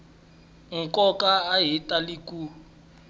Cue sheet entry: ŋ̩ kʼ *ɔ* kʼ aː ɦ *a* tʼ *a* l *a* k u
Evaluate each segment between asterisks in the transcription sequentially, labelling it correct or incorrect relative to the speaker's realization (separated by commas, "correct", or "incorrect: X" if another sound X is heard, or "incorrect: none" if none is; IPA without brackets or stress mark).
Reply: correct, incorrect: i, correct, incorrect: i